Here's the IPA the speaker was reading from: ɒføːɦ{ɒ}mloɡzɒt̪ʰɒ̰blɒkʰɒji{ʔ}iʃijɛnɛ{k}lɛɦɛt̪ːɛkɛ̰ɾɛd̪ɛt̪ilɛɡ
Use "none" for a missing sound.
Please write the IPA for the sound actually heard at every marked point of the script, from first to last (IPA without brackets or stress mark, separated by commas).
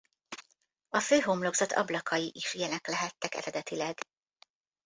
o, ʔ, k